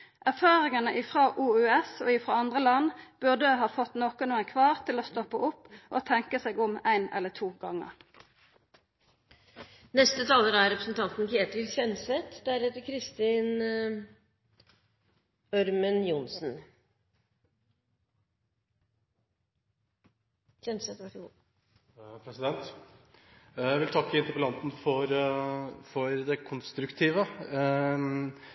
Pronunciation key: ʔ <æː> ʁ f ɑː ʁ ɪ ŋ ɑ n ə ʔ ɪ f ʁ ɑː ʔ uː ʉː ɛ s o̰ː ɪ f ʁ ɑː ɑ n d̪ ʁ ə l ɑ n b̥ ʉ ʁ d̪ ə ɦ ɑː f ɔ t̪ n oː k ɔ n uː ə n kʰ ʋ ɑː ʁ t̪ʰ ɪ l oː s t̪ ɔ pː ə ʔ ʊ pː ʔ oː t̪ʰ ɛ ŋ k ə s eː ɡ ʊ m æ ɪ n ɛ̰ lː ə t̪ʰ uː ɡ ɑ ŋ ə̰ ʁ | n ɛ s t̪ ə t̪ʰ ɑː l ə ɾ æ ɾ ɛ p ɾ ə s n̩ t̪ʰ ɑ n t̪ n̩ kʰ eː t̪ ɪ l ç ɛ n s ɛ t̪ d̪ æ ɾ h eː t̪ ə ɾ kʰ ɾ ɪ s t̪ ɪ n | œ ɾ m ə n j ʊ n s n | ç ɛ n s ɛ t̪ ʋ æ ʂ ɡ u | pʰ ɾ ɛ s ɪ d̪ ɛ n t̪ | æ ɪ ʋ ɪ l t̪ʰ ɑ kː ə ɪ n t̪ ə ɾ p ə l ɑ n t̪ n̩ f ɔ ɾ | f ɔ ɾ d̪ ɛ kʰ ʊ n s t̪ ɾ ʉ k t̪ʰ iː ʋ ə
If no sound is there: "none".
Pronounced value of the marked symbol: æ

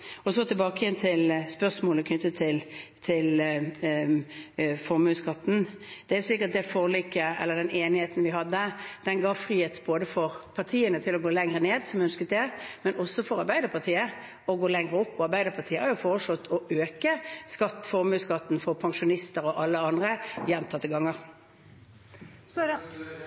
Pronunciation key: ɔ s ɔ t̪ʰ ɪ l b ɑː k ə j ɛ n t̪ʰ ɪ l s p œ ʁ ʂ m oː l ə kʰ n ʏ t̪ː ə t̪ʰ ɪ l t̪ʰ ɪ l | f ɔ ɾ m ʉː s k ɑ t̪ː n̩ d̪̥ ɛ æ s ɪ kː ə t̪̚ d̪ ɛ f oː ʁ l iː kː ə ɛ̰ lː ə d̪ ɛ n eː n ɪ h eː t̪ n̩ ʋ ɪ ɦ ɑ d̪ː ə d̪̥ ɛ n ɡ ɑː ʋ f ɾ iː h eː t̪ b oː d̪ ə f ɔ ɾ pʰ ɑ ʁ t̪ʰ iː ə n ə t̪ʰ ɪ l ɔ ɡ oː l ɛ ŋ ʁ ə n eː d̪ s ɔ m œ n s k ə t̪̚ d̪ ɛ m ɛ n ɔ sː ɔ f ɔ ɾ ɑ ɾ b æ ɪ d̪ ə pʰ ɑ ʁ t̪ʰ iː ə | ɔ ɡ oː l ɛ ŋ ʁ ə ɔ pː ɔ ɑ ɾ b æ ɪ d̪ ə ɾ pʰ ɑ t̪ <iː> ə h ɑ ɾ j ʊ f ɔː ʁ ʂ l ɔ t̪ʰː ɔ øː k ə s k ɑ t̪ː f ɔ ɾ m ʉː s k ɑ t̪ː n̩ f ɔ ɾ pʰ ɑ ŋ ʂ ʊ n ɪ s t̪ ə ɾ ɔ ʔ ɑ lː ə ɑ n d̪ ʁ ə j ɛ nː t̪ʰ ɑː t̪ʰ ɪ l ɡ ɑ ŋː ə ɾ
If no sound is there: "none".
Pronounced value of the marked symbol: iː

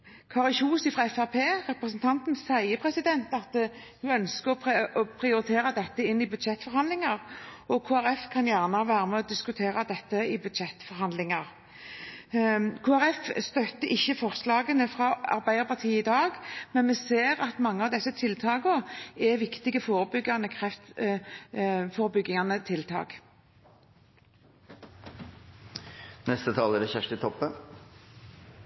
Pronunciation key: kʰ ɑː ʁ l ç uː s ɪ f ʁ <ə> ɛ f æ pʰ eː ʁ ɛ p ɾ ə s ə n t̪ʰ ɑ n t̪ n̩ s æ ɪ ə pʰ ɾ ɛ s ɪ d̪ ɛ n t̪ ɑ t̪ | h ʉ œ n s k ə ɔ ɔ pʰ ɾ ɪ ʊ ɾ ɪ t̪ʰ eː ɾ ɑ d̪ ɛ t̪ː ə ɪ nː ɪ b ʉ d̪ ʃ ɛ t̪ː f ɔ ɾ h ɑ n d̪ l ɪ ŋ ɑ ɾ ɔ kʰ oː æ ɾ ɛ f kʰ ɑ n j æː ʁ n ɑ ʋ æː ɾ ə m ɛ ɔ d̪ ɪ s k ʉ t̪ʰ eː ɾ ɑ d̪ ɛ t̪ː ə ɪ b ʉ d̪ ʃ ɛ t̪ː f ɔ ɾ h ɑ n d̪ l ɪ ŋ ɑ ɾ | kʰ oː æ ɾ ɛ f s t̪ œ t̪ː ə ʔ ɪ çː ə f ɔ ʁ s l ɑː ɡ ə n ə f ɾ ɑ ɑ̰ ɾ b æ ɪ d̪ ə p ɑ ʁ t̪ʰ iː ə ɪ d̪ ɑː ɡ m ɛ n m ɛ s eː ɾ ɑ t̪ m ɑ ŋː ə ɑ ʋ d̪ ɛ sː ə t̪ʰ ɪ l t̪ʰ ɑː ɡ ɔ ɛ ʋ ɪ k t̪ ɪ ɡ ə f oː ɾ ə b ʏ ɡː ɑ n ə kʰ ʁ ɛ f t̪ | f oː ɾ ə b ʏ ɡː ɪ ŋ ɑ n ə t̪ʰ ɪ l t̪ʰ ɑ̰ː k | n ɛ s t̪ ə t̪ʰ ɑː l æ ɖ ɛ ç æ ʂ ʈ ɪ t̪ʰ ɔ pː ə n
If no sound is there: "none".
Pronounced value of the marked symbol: ɑ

